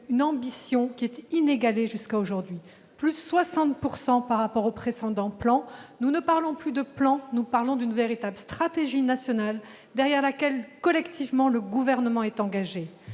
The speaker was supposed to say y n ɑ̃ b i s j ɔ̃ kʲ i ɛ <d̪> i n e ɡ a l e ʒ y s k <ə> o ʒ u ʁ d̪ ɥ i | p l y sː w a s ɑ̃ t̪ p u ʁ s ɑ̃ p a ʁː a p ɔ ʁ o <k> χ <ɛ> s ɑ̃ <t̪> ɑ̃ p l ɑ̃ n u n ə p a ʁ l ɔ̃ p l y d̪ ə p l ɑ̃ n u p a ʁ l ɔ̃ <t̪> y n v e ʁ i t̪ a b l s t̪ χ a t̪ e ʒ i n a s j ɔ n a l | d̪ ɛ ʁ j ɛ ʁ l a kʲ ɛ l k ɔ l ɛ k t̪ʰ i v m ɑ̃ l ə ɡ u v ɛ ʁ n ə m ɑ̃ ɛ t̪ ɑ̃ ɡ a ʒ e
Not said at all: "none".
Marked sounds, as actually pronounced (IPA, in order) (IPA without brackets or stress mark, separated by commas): t̪, a, p, e, d̪, d̪